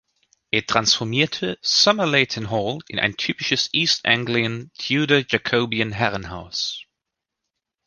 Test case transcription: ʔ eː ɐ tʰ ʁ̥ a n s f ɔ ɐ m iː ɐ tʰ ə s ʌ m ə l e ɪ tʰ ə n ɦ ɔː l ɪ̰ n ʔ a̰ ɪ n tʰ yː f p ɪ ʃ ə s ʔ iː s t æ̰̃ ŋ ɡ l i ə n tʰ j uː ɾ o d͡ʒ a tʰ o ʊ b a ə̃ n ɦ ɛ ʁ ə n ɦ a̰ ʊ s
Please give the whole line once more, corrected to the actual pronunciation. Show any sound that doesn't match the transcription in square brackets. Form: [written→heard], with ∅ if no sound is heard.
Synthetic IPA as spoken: ʔ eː ɐ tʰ ʁ̥ a n s f ɔ ɐ m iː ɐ tʰ ə s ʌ m ə l e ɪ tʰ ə n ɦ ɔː l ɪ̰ n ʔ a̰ ɪ n tʰ yː [f→∅] p ɪ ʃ ə s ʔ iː s t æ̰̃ ŋ ɡ l i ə n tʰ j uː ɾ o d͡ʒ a [tʰ→kʰ] o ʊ b [a→i] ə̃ n ɦ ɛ ʁ ə n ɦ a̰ ʊ s

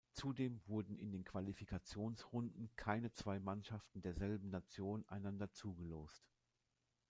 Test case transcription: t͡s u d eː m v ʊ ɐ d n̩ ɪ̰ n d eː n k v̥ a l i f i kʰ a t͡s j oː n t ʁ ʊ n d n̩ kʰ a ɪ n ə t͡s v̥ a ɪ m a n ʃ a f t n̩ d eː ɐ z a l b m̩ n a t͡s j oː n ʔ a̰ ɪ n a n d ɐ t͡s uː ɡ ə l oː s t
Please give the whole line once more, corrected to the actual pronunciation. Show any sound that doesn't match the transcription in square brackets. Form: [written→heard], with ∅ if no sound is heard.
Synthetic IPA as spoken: t͡s u d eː m v ʊ ɐ d n̩ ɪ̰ n d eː n k v̥ a l i f i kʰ a t͡s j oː n [t→s] ʁ ʊ n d n̩ kʰ a ɪ n ə t͡s v̥ a ɪ m a n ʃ a f t n̩ d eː ɐ z [a→ɛ] l b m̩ n a t͡s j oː n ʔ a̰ ɪ n a n d ɐ t͡s uː ɡ ə l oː s t

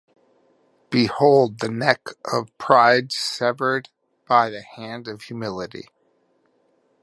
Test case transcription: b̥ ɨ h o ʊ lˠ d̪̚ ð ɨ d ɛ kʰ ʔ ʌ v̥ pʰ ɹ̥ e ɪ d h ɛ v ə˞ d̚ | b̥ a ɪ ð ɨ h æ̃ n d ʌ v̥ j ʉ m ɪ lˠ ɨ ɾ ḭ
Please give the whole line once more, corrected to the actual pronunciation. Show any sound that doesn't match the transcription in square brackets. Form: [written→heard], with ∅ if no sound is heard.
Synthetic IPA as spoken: b̥ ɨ h o ʊ lˠ d̪̚ ð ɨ [d→n] ɛ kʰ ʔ ʌ v̥ pʰ ɹ̥ [e→a] ɪ d [h→s] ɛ v ə˞ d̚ | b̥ a ɪ ð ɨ h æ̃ n d ʌ v̥ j ʉ m ɪ lˠ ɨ ɾ ḭ

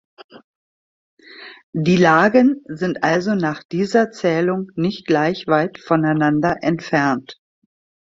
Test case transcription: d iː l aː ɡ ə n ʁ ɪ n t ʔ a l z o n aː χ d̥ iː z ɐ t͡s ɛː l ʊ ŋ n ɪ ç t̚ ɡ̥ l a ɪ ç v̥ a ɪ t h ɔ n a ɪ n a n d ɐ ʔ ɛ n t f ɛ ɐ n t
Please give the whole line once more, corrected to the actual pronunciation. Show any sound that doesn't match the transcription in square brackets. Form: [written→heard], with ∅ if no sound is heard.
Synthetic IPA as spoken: d iː l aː ɡ ə n [ʁ→z] ɪ n t ʔ a l z o n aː χ d̥ iː z ɐ t͡s ɛː l ʊ ŋ n ɪ ç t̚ ɡ̥ l a ɪ ç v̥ a ɪ t [h→f] ɔ n a ɪ n a n d ɐ ʔ ɛ n t f ɛ ɐ n t

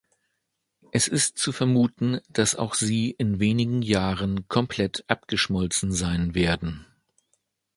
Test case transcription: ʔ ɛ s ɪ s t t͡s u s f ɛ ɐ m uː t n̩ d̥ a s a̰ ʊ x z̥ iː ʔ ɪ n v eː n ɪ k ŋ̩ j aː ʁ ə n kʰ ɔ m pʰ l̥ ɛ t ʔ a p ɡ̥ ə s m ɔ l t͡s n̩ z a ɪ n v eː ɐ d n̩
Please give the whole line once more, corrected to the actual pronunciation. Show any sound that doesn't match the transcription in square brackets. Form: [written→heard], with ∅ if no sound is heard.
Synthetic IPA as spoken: ʔ ɛ s ɪ s t t͡s u [s→∅] f ɛ ɐ m uː t n̩ d̥ a s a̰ ʊ x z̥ iː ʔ ɪ n v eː n ɪ [k→ɡ] ŋ̩ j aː ʁ ə n kʰ ɔ m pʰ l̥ ɛ t ʔ a p ɡ̥ ə [s→ʃ] m ɔ l t͡s n̩ z a ɪ n v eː ɐ d n̩

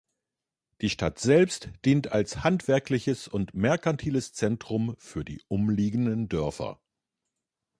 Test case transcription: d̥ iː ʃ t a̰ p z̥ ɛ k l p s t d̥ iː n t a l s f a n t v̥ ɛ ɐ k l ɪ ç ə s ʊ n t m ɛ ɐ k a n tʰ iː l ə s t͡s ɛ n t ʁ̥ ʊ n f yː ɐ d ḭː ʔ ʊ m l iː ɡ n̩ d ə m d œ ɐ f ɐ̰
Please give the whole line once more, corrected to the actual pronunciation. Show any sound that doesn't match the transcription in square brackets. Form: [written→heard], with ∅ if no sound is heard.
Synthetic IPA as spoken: d̥ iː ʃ t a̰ [p→t] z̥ ɛ [k→∅] l p s t d̥ iː n t a l s [f→h] a n t v̥ ɛ ɐ k l ɪ ç ə s ʊ n t m ɛ ɐ k a n tʰ iː l ə s t͡s ɛ n t ʁ̥ ʊ [n→m] f yː ɐ d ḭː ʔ ʊ m l iː ɡ n̩ d ə [m→n] d œ ɐ f ɐ̰

